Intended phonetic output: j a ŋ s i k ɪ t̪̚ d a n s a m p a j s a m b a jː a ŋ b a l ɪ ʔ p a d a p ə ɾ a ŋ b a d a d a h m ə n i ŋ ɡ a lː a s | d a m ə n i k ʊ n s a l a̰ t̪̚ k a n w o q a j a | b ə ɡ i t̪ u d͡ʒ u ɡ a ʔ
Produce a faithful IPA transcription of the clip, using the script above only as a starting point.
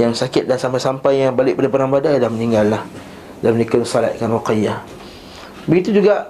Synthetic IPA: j a ŋ s a k ɪ t̪̚ d a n s a m p a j s a m p a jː a ŋ b a l ɪ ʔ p a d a p ə ɾ a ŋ b a d a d a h m ə n i ŋ ɡ a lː a h | d a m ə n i k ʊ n s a l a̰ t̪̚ k a n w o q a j a | b ə ɡ i t̪ u d͡ʒ u ɡ a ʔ